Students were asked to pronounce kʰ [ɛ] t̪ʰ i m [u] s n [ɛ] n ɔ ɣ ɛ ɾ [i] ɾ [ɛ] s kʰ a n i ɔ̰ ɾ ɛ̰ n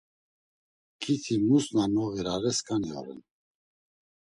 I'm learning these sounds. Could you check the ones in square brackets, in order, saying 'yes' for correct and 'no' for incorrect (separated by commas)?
no, yes, no, no, yes